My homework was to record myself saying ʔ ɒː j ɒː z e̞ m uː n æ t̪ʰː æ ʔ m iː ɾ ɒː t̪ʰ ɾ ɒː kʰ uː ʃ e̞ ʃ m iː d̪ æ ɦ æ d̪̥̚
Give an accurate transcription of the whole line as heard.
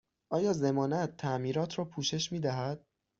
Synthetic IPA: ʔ ɒː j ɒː z e̞ m ɒː n æ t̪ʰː æ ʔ m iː ɾ ɒː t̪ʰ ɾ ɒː pʰ uː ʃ e̞ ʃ m iː d̪ æ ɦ æ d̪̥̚